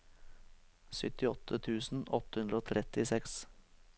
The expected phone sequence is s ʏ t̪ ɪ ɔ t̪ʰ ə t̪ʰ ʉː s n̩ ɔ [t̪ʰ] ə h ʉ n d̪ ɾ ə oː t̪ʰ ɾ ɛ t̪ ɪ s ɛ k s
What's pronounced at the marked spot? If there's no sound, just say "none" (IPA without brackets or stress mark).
t̪